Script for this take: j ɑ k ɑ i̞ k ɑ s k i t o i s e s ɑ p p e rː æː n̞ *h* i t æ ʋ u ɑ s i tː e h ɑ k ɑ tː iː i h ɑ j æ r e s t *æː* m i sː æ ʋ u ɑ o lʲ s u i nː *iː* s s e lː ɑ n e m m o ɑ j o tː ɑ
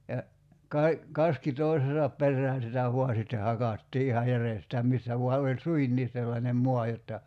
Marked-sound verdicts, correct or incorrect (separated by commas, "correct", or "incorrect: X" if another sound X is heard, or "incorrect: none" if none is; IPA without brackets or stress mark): incorrect: s, correct, correct